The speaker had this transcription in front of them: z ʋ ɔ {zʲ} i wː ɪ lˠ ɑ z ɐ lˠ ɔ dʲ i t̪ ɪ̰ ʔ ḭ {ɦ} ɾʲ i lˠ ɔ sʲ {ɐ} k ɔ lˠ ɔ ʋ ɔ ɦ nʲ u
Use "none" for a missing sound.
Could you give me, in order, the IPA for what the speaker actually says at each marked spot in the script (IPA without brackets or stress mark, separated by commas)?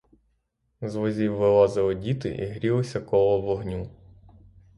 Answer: zʲ, ɦ, ɐ